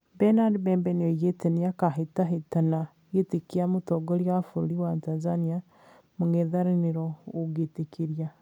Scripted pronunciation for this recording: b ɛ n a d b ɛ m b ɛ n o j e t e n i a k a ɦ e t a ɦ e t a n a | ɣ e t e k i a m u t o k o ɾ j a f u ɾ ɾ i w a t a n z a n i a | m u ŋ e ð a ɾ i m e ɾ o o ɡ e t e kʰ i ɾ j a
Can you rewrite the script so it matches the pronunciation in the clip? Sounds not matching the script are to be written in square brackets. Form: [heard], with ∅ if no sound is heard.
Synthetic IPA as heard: b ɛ n a d b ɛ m b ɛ n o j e t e n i a k a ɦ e t a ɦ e t a n a | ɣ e t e k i a m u t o [ɡ] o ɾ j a f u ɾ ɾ i w a t a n z a n i a | m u ŋ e ð a ɾ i [n] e ɾ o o ɡ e t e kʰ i ɾ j a